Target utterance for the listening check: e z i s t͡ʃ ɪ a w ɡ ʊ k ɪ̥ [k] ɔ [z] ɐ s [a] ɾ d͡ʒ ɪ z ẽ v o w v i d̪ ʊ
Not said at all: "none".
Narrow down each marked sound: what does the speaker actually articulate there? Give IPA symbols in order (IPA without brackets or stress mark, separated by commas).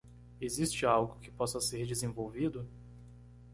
p, s, e